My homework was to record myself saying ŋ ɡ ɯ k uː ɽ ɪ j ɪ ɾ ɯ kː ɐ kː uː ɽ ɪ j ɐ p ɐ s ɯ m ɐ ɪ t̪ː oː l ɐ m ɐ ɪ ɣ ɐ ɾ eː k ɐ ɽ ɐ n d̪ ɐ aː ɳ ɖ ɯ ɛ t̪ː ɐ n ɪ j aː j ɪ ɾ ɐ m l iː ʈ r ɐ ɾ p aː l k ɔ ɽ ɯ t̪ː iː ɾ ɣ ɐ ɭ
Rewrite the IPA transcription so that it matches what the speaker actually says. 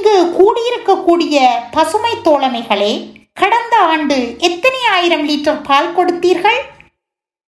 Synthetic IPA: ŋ ɡ ɯ k uː ɽ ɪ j ɪ ɾ ɯ kː ɐ kː uː ɽ ɪ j ɐ p ɐ s ɯ m ɐ ɪ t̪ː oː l ɐ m ɐ ɪ ɣ ɐ ɭ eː k ɐ ɽ ɐ n d̪ ɐ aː ɳ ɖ ɯ ɛ t̪ː ɐ n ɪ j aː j ɪ ɾ ɐ m l iː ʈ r ɐ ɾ p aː l k ɔ ɽ ɯ t̪ː iː ɾ ɣ ɐ ɭ